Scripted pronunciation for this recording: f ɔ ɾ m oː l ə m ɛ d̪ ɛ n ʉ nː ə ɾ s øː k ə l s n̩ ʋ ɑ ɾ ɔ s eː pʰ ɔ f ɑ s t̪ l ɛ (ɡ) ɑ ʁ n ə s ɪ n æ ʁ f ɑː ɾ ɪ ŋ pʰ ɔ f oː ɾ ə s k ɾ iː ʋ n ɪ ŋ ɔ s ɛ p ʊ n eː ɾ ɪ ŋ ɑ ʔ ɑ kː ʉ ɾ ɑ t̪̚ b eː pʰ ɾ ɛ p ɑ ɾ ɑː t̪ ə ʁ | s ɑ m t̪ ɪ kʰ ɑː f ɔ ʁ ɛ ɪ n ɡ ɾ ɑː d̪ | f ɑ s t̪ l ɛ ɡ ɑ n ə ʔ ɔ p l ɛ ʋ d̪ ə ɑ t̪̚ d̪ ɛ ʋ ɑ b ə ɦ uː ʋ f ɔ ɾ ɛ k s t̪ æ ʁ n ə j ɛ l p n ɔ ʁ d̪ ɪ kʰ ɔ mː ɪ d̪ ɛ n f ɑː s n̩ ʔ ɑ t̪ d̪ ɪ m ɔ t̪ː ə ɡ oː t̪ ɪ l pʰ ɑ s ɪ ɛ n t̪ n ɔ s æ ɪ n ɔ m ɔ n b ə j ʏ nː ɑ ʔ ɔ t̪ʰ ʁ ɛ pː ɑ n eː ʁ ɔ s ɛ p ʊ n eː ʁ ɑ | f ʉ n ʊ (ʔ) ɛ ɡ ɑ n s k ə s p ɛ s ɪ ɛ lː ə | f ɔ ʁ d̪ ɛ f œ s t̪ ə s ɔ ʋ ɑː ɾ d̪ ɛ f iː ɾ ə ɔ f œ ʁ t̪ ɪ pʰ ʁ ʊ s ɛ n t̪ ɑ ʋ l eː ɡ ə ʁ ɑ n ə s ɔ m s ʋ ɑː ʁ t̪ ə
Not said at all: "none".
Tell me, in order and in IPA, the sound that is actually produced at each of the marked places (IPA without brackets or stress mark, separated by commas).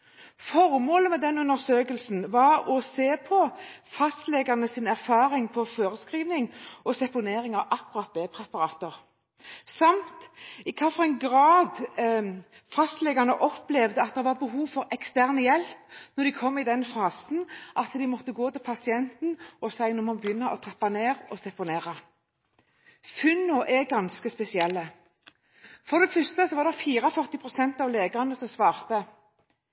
ɡ, ʔ